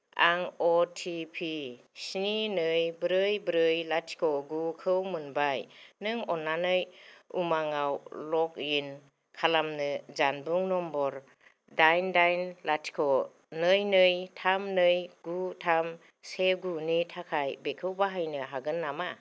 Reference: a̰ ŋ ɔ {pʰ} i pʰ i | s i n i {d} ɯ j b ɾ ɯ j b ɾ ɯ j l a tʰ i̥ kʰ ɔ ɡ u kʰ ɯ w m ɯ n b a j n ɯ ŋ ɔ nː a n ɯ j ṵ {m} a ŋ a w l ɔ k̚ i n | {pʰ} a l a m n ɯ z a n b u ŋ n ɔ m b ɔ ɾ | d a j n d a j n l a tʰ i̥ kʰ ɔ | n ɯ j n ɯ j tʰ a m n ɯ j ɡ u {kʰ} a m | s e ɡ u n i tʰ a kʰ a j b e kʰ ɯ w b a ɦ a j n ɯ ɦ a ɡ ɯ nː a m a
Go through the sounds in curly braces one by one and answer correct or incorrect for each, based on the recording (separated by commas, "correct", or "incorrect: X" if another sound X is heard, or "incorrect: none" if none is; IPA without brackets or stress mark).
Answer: incorrect: tʰ, incorrect: n, correct, incorrect: kʰ, incorrect: tʰ